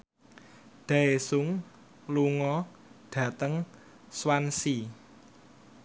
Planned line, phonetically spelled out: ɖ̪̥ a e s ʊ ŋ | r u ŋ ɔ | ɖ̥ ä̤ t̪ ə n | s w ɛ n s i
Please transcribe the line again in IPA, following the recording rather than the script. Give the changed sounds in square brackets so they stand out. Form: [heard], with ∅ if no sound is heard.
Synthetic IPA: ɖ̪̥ a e s ʊ ŋ | [l] u ŋ ɔ | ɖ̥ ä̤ t̪ ə [ŋ] | s w [a] n s i